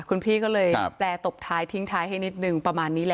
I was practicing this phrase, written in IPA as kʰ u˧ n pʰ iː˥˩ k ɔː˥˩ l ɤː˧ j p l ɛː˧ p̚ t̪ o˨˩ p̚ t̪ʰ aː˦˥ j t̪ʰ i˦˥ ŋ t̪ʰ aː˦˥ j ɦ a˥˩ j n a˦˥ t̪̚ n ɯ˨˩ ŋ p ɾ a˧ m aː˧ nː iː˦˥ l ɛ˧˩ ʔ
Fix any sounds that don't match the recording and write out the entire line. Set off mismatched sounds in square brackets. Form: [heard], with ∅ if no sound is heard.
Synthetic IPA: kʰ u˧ n pʰ iː˥˩ k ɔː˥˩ l ɤː˧ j p l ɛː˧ [∅] t̪ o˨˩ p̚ t̪ʰ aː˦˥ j t̪ʰ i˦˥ ŋ t̪ʰ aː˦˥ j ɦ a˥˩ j n [i˦˥] t̪̚ n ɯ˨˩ ŋ p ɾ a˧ m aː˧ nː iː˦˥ l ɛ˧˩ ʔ